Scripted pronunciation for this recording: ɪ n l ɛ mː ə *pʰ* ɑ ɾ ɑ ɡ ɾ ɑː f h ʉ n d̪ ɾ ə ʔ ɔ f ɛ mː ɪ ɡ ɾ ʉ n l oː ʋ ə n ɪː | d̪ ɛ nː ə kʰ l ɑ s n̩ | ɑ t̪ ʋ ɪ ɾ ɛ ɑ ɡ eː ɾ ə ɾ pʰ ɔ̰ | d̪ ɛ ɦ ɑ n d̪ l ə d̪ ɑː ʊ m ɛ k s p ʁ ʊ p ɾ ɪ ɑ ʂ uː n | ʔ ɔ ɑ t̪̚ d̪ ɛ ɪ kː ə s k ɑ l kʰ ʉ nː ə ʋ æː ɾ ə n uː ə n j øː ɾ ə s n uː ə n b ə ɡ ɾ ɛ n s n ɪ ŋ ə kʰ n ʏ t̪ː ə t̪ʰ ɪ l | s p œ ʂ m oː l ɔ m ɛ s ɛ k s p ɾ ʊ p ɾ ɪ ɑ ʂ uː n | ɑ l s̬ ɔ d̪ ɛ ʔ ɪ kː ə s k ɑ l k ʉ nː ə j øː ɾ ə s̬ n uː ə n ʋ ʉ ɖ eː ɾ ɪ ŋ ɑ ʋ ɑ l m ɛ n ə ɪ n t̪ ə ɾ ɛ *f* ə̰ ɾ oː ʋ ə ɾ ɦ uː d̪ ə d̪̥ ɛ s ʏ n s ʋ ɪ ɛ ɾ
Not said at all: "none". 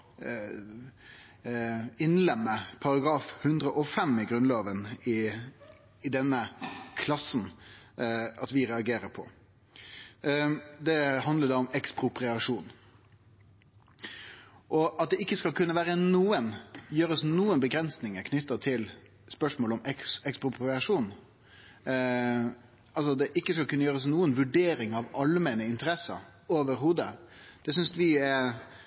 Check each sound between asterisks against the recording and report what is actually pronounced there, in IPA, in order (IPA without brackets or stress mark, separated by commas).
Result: pʰ, s